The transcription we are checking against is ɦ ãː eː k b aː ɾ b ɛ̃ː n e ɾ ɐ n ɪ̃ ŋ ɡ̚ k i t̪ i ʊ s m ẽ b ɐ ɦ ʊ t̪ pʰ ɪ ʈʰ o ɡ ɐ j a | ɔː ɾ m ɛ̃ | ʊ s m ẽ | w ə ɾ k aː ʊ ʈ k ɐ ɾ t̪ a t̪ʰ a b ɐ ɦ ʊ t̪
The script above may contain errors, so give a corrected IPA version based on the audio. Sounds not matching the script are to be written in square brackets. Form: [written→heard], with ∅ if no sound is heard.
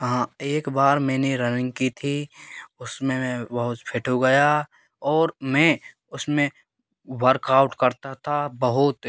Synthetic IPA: ɦ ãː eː k b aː ɾ [b→m] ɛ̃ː n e ɾ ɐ n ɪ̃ ŋ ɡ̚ k i [t̪→t̪ʰ] i ʊ s m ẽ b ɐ ɦ ʊ t̪ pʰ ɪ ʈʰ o ɡ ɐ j a | ɔː ɾ m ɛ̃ | ʊ s m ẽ | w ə ɾ k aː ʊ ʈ k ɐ ɾ t̪ a t̪ʰ a b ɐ ɦ ʊ t̪